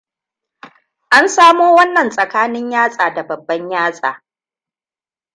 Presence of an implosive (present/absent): absent